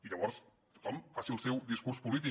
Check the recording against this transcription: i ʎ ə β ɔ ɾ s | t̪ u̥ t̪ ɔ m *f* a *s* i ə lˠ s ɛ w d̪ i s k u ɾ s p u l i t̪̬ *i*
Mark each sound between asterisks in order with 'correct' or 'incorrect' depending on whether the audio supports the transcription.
correct, correct, correct

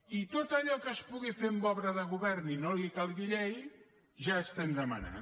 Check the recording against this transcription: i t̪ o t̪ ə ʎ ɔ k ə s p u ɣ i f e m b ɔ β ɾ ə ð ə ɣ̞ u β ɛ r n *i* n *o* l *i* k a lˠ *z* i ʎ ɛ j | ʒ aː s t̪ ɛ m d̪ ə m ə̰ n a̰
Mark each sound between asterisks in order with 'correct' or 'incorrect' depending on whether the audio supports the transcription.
correct, correct, correct, incorrect: ɣ

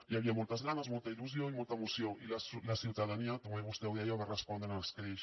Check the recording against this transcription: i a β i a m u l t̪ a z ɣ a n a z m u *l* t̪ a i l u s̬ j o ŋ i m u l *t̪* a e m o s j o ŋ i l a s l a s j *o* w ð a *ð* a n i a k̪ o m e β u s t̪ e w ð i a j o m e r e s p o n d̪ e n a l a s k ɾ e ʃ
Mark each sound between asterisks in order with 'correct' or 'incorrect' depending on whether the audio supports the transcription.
correct, correct, incorrect: u, correct

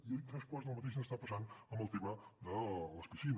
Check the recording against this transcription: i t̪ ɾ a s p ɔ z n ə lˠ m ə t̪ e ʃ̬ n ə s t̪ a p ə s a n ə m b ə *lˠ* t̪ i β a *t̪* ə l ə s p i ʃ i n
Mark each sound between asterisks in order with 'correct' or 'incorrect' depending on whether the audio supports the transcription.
correct, incorrect: d̪

